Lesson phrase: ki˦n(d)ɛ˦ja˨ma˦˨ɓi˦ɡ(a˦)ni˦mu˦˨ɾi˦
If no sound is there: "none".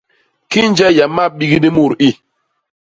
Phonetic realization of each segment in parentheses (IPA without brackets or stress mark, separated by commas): d͡ʒ, i˦